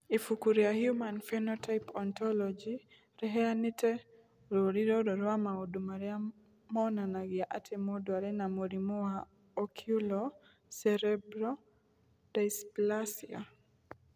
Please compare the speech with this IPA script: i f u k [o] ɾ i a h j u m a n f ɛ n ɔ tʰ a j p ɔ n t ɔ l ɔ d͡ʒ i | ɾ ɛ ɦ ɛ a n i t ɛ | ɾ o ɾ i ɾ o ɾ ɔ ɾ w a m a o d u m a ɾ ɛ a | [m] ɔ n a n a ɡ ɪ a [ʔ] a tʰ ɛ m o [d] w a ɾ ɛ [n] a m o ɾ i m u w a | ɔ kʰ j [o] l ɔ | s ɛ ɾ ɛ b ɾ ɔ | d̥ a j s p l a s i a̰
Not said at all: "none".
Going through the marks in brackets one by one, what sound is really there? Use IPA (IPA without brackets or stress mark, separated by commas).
u, m, ʔ, d, n, u